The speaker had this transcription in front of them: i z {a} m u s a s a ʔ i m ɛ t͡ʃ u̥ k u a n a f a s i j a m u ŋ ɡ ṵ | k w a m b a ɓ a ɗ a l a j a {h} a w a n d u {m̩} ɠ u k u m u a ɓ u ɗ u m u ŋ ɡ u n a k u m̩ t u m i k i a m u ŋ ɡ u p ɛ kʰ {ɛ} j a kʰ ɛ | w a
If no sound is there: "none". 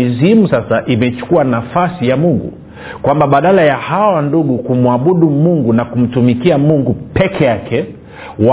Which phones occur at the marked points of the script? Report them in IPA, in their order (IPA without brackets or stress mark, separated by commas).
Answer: i, h, none, ɛ